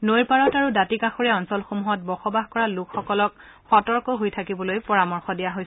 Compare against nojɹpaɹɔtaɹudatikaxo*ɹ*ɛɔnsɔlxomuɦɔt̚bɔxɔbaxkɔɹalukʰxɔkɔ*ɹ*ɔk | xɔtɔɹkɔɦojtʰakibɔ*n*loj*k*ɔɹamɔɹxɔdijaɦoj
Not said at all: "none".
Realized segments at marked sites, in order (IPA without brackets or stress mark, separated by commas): ɹ, l, none, p